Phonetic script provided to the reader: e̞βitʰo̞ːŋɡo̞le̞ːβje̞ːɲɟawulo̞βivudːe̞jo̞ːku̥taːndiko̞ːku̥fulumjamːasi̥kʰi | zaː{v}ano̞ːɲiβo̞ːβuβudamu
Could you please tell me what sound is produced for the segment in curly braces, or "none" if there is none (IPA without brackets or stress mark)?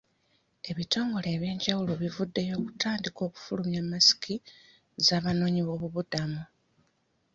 β